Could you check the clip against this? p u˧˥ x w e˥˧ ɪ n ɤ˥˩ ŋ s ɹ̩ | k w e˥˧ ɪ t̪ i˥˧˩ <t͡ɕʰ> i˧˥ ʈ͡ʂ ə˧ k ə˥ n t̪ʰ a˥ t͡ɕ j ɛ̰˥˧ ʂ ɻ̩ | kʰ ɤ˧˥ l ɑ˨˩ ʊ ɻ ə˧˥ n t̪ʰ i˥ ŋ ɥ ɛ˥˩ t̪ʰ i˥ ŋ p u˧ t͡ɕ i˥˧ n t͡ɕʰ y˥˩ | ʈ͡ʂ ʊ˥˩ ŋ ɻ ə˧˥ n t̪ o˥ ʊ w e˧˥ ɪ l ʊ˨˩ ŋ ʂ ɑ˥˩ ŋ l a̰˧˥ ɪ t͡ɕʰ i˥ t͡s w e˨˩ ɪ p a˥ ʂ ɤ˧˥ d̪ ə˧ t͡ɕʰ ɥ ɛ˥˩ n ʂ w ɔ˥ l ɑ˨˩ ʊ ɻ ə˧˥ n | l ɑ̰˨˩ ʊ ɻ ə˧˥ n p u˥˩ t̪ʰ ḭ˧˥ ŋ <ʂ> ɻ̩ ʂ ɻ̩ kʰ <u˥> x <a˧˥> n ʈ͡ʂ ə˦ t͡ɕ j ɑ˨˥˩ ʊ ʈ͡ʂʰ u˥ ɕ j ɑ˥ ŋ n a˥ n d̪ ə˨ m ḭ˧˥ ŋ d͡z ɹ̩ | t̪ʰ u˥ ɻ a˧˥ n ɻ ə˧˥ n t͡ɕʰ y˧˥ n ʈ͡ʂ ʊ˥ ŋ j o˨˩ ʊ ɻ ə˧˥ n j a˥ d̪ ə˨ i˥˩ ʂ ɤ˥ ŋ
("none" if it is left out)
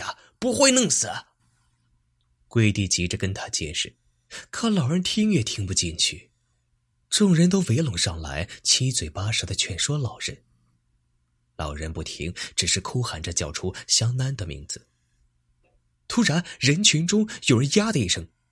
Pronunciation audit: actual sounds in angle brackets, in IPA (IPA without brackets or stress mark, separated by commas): t͡ɕ, ʈ͡ʂ, u˥, a˨˩